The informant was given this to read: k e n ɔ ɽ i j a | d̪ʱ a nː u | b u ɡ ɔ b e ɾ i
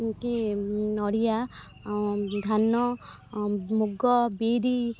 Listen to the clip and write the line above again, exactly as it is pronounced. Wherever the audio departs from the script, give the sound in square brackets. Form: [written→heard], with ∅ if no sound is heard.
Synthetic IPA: k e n ɔ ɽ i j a | d̪ʱ a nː [u→ɔ] | [b→m] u ɡ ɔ b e ɾ i